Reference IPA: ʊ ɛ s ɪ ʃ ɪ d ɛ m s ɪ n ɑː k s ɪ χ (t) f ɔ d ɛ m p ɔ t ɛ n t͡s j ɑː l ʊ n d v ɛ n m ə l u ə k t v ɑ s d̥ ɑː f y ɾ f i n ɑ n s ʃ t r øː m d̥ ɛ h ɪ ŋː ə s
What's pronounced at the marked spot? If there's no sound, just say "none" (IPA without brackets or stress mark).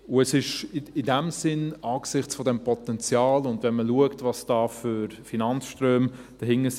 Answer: t͡s